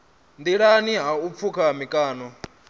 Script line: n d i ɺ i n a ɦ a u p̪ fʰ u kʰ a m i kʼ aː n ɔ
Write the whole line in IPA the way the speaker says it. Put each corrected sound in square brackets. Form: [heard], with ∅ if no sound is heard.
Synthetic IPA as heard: n d i ɺ [a] n [i] ɦ a u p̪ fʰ u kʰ a m i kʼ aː n ɔ